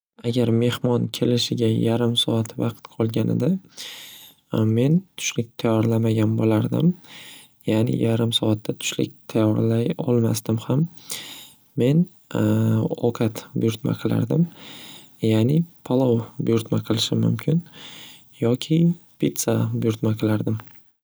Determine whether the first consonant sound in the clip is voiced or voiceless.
voiced